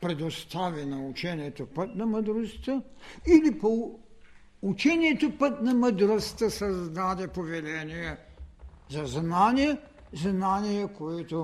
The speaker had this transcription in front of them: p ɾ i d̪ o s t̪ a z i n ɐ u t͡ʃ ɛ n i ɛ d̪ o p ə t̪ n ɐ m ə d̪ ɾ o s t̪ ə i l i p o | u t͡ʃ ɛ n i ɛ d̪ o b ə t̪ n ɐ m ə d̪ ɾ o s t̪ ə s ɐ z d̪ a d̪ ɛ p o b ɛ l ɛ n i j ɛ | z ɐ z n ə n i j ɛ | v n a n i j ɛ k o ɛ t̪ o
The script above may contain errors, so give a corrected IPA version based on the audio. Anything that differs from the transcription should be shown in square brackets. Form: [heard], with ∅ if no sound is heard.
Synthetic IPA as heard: p ɾ [ɛ] d̪ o s t̪ a [v] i n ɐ u t͡ʃ ɛ n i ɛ [t̪] o p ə t̪ n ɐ m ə d̪ ɾ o s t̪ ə i l i p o | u t͡ʃ ɛ n i ɛ [t̪] o [p] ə t̪ n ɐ m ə d̪ ɾ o s t̪ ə s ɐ z d̪ a d̪ ɛ p o [v] ɛ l ɛ n i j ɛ | z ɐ z n [a] n i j ɛ | [z] n a n i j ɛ k o ɛ t̪ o